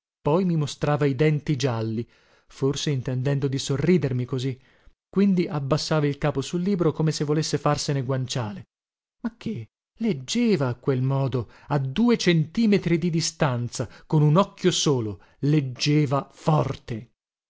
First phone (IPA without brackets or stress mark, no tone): p